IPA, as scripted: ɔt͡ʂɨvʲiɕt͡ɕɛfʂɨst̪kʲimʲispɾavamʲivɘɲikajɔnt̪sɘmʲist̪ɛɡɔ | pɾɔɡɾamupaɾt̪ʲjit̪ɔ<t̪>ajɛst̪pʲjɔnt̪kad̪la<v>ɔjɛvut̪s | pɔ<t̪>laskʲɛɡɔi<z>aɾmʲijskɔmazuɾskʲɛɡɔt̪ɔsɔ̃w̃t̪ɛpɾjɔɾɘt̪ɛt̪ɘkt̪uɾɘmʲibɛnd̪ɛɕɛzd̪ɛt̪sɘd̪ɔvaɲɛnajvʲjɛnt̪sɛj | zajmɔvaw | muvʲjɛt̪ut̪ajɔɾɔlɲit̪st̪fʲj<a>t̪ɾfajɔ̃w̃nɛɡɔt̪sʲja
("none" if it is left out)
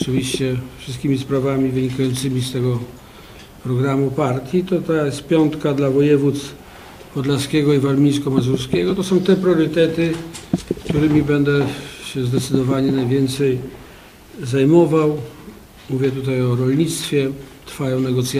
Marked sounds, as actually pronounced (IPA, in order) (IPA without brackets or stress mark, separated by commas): t̪, v, d̪, v, ɛ